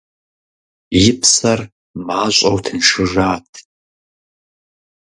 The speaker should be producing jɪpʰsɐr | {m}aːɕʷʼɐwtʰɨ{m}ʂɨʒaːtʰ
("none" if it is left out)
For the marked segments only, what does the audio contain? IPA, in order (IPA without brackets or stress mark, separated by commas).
m, n